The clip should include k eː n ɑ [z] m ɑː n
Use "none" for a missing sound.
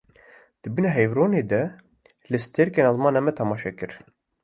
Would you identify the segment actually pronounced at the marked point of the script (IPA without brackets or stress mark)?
z